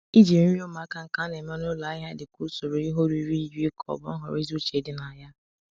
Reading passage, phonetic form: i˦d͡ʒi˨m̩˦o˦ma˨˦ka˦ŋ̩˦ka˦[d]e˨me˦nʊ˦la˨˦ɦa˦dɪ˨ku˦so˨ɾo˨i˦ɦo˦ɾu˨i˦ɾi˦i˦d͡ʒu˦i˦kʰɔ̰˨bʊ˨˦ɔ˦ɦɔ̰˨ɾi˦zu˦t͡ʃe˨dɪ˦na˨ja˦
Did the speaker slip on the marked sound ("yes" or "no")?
yes